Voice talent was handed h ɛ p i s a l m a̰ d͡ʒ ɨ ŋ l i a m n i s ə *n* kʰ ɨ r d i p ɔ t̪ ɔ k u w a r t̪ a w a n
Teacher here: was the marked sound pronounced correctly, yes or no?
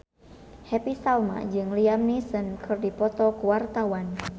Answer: yes